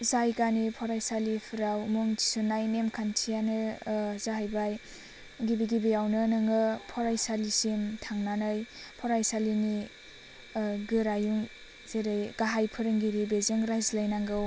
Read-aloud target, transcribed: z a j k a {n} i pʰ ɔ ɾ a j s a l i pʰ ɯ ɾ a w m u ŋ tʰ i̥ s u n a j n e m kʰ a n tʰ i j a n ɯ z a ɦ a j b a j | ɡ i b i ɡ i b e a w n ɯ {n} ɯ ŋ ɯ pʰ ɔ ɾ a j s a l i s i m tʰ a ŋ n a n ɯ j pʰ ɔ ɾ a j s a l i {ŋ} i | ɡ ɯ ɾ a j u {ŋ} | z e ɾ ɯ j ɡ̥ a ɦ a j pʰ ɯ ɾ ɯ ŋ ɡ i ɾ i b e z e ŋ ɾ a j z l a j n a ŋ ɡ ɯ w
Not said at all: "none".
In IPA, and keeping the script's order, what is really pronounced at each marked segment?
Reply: n, n, n, ŋ

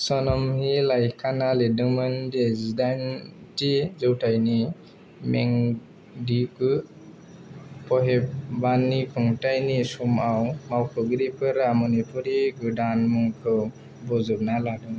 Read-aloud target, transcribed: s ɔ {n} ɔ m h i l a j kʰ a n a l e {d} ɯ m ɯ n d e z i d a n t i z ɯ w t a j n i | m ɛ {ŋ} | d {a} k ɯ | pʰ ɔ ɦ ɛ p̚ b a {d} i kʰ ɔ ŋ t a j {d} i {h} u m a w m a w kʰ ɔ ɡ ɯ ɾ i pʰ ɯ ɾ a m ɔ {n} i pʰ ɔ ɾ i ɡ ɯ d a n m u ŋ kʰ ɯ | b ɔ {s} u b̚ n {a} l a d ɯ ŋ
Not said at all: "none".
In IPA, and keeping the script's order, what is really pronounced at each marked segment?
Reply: n, d, ŋ, i, n, n, s, n, z, a

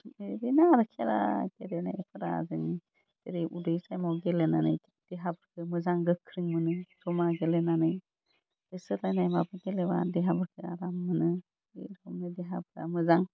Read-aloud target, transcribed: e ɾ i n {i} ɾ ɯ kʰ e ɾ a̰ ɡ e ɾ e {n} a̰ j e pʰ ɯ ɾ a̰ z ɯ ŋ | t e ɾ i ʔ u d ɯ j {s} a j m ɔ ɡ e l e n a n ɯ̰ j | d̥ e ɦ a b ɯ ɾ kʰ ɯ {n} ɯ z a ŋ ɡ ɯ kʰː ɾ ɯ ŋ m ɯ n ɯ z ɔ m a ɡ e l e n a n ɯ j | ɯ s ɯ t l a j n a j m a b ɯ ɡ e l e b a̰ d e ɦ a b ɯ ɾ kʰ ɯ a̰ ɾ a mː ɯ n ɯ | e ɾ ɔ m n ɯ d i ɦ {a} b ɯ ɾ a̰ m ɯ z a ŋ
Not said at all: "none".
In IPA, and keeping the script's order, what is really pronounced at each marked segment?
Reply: a, n, s, m, a

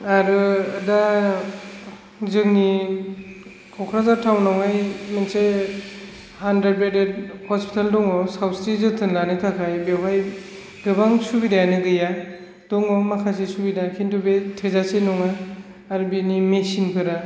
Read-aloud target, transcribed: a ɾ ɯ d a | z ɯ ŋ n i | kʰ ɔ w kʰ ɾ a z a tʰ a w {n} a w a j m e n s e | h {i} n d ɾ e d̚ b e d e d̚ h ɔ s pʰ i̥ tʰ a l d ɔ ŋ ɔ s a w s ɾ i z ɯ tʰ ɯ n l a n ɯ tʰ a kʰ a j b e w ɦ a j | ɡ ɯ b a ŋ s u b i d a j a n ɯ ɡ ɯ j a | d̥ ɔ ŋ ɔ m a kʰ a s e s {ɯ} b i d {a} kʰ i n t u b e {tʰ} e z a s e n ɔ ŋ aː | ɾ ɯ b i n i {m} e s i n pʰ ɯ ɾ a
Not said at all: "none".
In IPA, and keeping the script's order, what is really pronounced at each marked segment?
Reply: n, a, u, a, tʰ, m

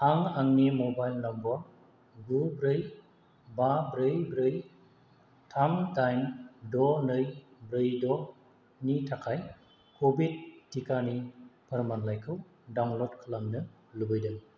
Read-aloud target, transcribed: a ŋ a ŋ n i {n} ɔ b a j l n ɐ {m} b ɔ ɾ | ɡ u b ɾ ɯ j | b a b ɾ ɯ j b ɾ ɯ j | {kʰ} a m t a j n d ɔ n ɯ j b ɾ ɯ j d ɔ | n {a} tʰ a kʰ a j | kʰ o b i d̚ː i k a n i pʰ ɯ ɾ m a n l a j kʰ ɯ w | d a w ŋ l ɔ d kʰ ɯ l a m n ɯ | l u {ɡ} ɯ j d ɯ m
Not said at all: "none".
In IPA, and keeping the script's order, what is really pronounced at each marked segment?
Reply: m, m, tʰ, i, b

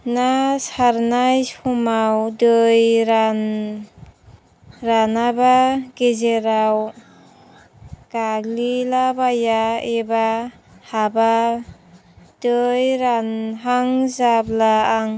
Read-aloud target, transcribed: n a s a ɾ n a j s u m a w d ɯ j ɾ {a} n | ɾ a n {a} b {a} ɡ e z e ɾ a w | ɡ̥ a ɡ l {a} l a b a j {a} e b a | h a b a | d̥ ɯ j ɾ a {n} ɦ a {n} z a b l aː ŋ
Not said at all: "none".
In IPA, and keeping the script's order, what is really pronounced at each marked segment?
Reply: a, a, a, i, a, n, ŋ

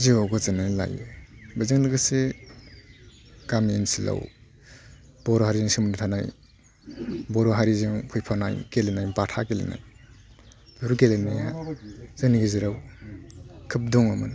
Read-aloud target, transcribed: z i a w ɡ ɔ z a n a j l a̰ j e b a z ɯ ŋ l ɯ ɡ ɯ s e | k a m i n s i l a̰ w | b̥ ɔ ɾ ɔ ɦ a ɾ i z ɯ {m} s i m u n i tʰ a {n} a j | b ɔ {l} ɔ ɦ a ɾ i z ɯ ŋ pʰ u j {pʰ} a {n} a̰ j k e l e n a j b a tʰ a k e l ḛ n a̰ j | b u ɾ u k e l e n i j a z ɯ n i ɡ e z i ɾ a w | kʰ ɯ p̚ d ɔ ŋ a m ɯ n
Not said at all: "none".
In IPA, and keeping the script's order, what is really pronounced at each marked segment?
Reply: ŋ, n, ɾ, pʰ, n

